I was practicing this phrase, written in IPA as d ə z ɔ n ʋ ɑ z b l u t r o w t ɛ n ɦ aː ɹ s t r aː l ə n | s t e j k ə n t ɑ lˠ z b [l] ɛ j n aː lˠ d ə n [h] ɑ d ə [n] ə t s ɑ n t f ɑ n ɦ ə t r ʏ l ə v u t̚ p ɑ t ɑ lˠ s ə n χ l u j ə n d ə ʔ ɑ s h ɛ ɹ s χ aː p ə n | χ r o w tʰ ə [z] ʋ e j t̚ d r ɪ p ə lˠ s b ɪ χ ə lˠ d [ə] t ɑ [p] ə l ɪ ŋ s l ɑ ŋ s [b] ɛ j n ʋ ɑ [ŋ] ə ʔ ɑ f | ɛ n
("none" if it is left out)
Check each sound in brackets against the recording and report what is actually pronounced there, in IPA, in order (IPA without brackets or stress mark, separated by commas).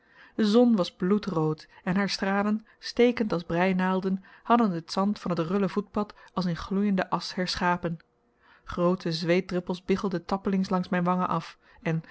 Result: r, h, n, z, ə, p, m, ŋ